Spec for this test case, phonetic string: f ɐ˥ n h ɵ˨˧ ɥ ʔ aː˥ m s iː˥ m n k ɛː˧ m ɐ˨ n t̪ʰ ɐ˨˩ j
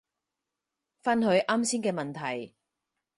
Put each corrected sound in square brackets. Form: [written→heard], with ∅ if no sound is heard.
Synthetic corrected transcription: f ɐ˥ n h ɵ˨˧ ɥ ʔ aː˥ m s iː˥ [m→∅] n k ɛː˧ m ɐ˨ n t̪ʰ ɐ˨˩ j